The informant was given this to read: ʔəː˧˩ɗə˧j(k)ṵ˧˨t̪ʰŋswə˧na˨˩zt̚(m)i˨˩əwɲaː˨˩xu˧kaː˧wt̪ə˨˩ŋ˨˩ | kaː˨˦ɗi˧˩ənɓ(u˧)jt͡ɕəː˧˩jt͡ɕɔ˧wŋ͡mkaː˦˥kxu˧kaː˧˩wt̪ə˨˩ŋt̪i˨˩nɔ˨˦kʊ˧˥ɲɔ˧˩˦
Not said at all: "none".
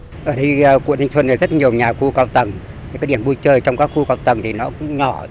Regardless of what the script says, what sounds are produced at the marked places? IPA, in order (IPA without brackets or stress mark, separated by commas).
k, ɲ, u˧